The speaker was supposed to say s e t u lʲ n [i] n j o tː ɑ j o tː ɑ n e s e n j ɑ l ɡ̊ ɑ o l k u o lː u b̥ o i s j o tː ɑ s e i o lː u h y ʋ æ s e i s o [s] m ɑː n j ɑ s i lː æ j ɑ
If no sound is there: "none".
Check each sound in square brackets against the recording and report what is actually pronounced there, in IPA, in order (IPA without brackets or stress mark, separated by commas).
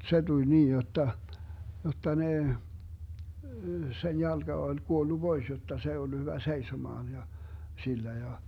iː, none